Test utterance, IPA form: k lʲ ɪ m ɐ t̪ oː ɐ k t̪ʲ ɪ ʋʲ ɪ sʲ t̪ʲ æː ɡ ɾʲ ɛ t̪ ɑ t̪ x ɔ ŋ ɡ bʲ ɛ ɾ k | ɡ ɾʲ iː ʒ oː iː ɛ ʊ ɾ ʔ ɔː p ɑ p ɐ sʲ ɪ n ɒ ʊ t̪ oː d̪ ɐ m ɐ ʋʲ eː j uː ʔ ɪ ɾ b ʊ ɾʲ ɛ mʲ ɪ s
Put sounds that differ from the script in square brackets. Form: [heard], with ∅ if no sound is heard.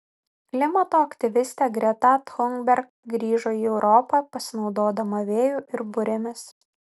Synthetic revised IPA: k lʲ ɪ m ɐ t̪ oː ɐ k t̪ʲ ɪ ʋʲ ɪ sʲ t̪ʲ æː ɡ ɾʲ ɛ t̪ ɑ t̪ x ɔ ŋ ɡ bʲ ɛ ɾ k | ɡ ɾʲ iː ʒ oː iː ɛ ʊ ɾ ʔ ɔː p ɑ p ɐ sʲ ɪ n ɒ ʊ [d̪] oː d̪ ɐ m ɐ ʋʲ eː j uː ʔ ɪ ɾ b ʊ ɾʲ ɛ mʲ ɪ s